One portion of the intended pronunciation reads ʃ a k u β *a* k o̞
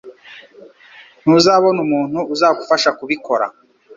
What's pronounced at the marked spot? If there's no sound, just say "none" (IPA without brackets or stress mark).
i